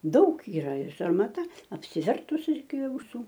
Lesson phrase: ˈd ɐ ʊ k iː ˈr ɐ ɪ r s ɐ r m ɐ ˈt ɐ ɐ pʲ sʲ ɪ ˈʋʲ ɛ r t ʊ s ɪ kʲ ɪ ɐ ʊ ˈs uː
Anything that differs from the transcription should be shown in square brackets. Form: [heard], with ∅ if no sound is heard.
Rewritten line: ˈd ɐ ʊ k iː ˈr ɐ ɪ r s ɐ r m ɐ ˈt ɐ ɐ pʲ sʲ ɪ ˈʋʲ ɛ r t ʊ s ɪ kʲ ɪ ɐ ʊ ˈs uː